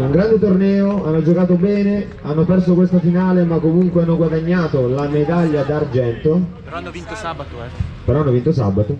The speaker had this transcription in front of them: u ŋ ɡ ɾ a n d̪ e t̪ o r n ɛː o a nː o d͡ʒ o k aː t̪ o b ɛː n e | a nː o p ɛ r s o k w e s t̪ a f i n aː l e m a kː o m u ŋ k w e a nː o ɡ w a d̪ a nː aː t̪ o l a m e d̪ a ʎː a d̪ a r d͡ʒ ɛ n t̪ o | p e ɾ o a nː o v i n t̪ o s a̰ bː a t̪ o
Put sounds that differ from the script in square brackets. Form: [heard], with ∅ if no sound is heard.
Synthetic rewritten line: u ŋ ɡ ɾ a n d̪ e t̪ o r n ɛː o a nː o d͡ʒ o k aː t̪ o b ɛː n e | a nː o p ɛ r s o k w e s t̪ a f i n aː l e m a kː o m u ŋ k w e a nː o ɡ w a d̪ a [ɲː] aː t̪ o l a m e d̪ a ʎː a d̪ a r d͡ʒ ɛ n t̪ o | p e ɾ [ɔ] a nː o v i n t̪ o s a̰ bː a t̪ o